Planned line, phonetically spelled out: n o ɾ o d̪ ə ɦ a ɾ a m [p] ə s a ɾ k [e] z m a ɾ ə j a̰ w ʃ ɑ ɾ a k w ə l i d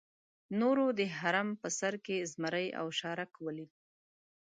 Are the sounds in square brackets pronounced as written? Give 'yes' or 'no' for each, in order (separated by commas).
yes, yes